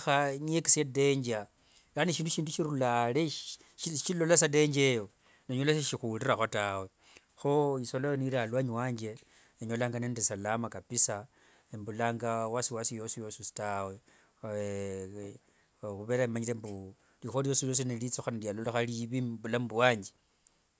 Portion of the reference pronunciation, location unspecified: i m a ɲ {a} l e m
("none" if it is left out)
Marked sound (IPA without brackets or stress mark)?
i